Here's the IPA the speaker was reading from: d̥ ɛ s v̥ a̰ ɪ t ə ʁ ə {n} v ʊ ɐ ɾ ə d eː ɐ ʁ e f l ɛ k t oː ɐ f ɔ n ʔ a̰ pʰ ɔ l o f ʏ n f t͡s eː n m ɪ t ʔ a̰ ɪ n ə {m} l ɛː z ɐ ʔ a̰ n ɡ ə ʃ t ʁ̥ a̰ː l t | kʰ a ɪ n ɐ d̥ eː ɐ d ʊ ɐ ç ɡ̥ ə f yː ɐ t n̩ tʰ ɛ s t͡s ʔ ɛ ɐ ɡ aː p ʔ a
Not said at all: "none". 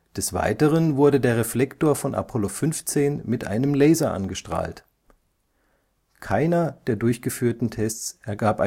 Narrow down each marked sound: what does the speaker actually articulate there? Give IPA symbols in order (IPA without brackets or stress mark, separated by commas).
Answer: n, m